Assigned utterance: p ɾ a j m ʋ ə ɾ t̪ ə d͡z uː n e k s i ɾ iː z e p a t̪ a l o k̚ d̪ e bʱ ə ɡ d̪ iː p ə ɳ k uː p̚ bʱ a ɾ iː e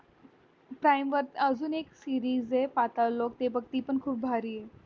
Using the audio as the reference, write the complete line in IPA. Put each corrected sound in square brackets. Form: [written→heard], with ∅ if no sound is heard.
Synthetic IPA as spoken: p ɾ a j m ʋ ə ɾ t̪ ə d͡z uː n e k s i ɾ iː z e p a t̪ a l o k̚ [d̪→t̪] e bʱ ə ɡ [d̪→t̪] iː p ə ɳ [k→kʰ] uː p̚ bʱ a ɾ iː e